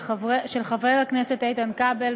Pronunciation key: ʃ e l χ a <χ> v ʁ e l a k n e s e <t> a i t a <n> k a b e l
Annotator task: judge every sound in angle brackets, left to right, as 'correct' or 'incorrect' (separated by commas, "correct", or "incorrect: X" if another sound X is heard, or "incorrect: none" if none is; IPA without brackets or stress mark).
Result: incorrect: none, correct, correct